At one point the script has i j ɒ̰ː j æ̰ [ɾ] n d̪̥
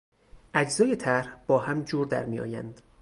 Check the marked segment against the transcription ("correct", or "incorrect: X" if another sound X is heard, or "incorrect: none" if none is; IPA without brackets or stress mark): incorrect: none